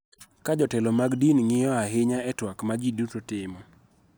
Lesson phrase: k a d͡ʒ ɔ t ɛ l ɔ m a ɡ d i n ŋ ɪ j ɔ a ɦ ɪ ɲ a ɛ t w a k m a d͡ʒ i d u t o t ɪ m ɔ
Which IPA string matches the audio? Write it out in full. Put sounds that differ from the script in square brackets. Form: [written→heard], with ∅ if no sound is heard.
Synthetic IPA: k a d͡ʒ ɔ t ɛ l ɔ m a ɡ d i n ŋ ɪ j ɔ a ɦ ɪ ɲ a ɛ t w a k m a d͡ʒ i d u t o t ɪ m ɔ